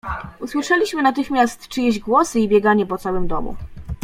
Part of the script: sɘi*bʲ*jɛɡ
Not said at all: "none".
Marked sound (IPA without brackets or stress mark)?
bʲ